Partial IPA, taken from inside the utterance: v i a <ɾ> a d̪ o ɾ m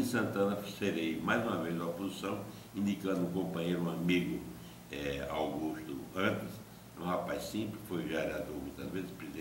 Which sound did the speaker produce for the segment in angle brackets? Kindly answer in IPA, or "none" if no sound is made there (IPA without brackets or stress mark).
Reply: ɾ